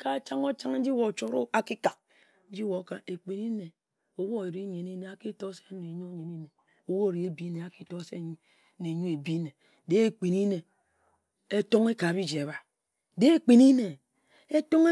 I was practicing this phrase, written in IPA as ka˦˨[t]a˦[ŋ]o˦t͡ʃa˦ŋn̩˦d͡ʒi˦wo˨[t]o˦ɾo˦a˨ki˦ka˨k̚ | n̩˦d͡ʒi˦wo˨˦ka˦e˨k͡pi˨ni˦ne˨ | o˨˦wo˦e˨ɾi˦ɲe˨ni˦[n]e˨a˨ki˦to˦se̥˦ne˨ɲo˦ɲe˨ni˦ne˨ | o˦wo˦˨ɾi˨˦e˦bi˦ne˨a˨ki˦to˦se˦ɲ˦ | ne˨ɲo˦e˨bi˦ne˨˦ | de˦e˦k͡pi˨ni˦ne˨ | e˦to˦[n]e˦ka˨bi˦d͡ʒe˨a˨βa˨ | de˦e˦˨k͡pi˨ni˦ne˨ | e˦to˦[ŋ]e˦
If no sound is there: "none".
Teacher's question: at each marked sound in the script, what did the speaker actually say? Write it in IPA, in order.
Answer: t͡ʃ, ŋ, t͡ʃ, n, ŋ, ŋ

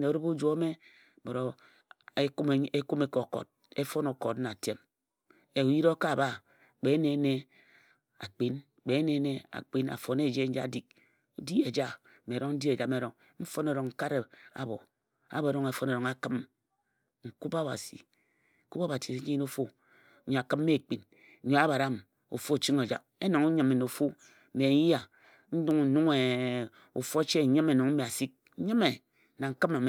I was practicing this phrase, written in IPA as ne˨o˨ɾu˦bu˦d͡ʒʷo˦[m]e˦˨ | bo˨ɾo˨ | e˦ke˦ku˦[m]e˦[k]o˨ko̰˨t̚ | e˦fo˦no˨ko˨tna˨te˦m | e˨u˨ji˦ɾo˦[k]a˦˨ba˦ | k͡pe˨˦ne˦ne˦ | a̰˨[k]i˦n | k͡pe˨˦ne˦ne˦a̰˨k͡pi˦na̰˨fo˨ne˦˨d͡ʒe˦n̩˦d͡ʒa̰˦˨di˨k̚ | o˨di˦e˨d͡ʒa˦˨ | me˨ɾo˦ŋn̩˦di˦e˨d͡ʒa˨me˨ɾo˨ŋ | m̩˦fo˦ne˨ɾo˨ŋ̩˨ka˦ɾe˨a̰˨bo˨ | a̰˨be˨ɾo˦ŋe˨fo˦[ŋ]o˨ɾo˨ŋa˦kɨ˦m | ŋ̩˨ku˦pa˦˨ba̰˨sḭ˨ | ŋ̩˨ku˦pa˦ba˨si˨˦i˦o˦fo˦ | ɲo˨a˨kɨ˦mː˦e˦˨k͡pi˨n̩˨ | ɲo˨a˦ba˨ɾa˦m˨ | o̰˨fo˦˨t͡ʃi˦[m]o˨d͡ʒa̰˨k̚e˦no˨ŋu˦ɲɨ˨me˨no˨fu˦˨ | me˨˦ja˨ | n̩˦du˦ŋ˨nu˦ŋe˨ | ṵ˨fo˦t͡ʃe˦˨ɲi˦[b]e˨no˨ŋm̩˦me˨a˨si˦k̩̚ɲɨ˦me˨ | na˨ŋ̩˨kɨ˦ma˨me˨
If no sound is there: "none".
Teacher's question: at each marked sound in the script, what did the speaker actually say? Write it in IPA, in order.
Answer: m, m, k, k, k͡p, n, ŋ, m

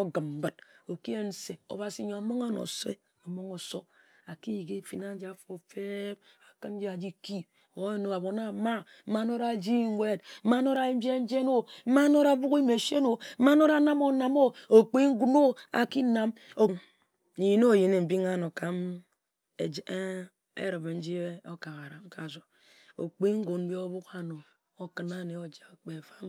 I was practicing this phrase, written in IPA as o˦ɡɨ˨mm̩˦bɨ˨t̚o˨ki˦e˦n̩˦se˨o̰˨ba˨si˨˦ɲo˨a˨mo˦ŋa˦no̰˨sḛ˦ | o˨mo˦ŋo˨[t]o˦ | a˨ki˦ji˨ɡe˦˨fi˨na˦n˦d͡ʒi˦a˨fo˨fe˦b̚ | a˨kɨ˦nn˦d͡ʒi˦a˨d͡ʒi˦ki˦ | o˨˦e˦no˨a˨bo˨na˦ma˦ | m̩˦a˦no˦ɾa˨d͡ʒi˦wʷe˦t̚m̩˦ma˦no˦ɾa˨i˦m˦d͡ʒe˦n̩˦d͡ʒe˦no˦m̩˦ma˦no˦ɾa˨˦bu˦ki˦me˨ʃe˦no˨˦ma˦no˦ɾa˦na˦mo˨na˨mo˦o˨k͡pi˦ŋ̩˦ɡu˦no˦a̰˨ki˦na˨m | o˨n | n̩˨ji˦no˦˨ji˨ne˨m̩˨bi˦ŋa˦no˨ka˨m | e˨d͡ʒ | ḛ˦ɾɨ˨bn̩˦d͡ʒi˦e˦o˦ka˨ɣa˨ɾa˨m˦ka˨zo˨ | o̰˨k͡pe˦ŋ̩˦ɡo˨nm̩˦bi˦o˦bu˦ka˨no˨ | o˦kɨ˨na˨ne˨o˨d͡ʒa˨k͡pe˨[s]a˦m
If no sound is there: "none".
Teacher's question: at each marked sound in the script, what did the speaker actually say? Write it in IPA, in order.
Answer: s, f

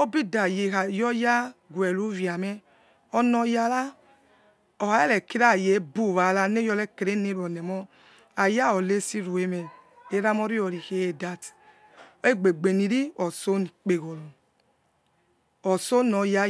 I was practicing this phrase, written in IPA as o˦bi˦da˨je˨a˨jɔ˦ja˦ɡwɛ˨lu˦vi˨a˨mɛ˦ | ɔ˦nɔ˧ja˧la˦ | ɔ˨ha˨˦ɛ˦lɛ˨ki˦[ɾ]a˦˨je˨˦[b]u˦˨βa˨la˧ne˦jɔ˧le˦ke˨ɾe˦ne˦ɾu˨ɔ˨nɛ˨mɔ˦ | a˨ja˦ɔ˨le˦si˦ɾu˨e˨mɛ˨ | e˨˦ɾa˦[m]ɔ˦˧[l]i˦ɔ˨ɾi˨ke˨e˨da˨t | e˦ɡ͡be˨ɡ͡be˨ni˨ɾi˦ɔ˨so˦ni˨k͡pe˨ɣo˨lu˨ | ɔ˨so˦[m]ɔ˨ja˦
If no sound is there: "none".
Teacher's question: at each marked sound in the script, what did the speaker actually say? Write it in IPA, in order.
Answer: ɾ, b, m, ɾ, n

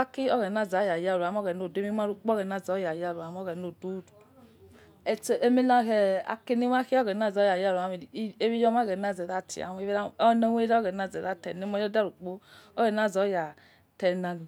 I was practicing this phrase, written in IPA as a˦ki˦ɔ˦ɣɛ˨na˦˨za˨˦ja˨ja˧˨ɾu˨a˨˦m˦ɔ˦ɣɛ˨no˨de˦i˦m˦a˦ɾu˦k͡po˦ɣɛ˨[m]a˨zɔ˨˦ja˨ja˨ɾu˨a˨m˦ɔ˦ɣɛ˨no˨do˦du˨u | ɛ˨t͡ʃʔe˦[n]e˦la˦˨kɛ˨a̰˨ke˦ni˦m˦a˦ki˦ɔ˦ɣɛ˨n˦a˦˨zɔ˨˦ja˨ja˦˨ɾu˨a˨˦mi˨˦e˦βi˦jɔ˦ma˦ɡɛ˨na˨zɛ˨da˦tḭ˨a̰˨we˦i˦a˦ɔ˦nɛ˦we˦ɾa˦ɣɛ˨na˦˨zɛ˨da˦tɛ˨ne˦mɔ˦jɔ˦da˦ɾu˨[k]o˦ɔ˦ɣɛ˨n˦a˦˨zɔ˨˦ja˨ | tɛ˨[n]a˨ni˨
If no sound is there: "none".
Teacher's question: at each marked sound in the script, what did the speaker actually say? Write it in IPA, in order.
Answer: n, m, k͡p, n

